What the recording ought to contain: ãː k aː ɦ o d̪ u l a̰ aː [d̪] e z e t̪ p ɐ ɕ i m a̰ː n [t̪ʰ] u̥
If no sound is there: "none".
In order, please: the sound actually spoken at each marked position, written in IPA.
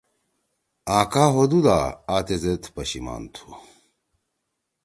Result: t̪, t̪ʰ

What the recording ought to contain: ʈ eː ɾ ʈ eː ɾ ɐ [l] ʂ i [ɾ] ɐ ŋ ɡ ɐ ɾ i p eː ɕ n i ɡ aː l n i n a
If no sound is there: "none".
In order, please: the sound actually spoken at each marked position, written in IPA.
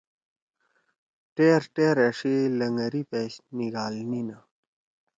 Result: none, l

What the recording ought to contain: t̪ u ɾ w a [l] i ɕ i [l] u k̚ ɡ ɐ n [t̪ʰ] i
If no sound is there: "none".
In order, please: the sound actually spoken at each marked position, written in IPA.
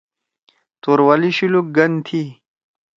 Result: l, l, t̪ʰ

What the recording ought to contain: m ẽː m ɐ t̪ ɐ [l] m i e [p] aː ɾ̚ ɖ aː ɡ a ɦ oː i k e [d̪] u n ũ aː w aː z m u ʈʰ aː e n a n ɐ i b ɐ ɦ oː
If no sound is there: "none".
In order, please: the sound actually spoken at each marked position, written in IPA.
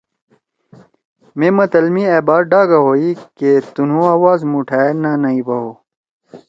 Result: l, b, t̪

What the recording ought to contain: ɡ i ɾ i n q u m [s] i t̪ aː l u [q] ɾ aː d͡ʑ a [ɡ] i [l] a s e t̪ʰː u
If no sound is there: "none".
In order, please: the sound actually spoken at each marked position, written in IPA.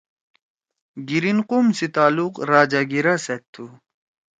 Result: s, q, ɡ, ɾ

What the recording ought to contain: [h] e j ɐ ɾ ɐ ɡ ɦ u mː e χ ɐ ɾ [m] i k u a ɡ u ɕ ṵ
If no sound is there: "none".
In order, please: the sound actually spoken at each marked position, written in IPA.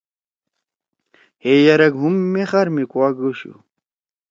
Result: h, m

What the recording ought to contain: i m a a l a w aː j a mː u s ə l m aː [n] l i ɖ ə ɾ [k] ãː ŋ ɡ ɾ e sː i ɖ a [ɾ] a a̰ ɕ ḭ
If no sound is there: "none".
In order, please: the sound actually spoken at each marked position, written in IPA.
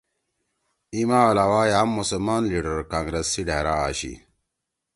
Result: n, k, ɾ

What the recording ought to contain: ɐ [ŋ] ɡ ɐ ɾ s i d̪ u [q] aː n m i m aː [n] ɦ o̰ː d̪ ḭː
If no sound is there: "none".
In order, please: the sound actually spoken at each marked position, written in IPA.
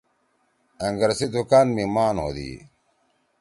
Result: ŋ, k, n

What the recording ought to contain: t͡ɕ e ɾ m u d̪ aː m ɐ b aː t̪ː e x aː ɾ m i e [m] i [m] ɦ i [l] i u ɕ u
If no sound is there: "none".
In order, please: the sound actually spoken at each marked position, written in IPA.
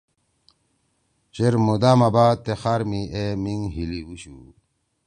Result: m, ŋ, l

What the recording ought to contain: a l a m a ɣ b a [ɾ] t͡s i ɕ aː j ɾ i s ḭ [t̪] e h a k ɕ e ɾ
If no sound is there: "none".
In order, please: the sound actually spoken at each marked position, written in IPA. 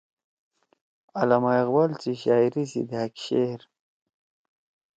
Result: l, d̪

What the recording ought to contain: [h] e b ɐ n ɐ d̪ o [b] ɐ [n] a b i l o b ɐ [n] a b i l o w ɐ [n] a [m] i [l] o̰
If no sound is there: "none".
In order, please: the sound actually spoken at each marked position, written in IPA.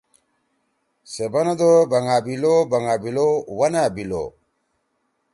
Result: s, b, ŋ, ŋ, n, b, l

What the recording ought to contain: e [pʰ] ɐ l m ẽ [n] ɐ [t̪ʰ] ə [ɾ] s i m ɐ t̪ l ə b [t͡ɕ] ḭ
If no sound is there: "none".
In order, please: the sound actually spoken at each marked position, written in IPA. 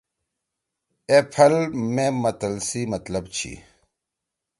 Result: pʰ, m, t̪, l, t͡ɕʰ

